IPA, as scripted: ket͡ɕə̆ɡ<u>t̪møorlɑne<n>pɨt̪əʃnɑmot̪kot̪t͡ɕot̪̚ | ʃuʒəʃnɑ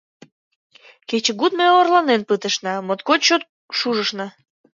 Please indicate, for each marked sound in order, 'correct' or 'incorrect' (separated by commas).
correct, correct